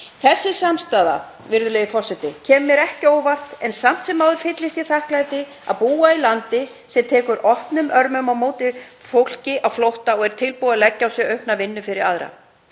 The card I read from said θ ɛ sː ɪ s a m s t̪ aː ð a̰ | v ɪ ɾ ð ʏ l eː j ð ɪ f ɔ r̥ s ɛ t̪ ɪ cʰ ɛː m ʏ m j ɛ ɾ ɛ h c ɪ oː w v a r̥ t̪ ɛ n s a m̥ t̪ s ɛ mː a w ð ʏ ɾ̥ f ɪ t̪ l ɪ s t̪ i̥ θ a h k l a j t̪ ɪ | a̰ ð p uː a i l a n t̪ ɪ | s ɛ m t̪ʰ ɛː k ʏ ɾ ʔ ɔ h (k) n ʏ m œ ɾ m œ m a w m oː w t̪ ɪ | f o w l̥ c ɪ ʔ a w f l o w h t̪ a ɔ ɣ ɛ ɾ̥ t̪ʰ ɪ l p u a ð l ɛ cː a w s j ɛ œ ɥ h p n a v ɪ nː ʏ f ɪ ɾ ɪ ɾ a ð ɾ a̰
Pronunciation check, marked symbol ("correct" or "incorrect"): incorrect